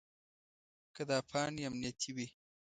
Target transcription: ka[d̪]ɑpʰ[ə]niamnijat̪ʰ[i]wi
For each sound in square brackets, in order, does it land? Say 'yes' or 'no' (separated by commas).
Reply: yes, no, yes